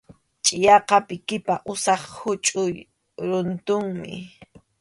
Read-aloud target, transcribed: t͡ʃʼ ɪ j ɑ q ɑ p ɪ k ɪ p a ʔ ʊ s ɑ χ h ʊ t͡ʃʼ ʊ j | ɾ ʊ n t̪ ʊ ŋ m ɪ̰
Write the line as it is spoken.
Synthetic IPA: t͡ʃʼ ɪ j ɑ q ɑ p ɪ k ɪ p a ʔ ʊ s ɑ χ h ʊ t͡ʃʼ ʊ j | ɾ ʊ n t̪ ʊ ŋ m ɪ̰